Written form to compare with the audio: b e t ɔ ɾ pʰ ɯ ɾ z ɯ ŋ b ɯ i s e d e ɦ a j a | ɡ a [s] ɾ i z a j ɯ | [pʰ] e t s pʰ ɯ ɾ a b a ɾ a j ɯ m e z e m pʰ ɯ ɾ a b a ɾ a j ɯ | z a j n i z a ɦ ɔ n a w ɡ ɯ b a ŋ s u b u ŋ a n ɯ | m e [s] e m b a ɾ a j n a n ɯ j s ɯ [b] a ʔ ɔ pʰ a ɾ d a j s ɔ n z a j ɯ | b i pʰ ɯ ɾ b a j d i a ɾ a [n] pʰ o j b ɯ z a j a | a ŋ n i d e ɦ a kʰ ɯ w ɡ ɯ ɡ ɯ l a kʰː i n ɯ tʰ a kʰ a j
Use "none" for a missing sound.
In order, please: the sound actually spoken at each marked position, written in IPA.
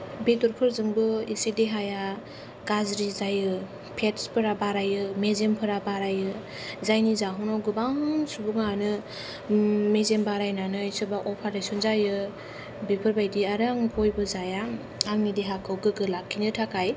z, pʰ, z, b, ŋ

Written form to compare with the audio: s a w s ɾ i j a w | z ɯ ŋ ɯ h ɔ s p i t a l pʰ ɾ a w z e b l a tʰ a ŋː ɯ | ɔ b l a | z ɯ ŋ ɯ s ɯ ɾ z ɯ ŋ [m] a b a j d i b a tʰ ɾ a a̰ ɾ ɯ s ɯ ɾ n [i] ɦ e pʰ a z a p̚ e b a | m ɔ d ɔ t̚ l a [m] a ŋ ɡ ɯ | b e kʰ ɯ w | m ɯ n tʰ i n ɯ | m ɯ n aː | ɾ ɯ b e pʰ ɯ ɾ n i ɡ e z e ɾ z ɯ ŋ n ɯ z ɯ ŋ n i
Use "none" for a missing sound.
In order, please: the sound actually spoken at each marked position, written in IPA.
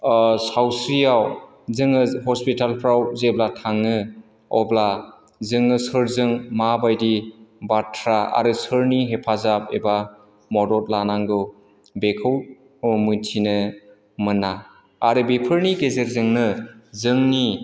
m, i, n

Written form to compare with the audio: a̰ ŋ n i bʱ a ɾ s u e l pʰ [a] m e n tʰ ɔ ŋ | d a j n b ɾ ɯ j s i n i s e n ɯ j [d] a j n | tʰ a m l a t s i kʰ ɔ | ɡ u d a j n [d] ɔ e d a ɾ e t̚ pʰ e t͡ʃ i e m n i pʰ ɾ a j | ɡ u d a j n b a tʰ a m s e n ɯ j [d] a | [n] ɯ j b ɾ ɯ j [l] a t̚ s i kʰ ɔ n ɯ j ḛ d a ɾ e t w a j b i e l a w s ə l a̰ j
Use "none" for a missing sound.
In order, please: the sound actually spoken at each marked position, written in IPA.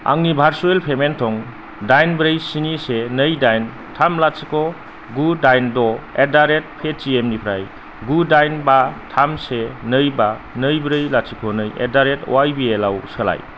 e, d, d, b, n, l

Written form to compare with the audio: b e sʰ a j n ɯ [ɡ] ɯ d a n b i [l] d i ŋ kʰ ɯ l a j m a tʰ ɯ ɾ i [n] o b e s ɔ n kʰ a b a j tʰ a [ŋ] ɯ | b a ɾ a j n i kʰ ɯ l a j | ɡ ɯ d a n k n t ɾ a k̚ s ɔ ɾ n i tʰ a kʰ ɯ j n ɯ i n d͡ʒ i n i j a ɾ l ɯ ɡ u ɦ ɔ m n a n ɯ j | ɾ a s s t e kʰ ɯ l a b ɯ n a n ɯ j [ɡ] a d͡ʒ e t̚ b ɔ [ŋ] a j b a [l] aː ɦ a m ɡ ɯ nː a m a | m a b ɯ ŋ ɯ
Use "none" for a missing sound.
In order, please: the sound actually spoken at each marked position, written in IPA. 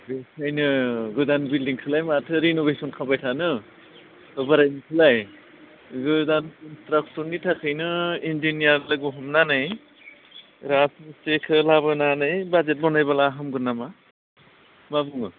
ɡ, l, n, n, b, n, l

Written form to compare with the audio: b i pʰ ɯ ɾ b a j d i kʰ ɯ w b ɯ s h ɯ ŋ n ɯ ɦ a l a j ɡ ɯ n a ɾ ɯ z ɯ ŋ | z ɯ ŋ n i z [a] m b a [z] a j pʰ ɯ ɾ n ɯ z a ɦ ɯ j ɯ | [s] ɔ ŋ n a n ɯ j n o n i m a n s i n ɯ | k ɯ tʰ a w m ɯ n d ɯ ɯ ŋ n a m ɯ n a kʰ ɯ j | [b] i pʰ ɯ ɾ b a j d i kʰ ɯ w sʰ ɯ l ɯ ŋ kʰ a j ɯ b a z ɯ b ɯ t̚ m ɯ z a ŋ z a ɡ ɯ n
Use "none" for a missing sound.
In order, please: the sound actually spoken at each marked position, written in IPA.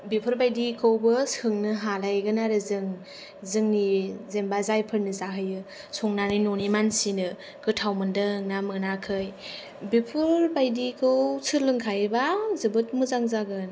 e, z, s, b

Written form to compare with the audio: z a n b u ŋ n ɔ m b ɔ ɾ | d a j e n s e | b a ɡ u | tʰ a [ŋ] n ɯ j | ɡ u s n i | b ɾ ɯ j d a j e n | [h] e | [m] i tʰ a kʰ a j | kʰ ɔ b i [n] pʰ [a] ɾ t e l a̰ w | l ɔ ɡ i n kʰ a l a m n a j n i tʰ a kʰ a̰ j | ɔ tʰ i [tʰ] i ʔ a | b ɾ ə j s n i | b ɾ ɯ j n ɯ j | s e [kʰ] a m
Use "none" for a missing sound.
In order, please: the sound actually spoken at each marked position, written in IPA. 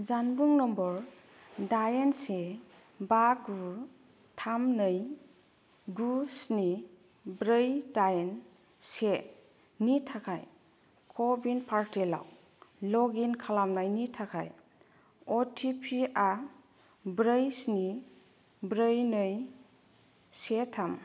m, s, n, n, a, pʰ, tʰ

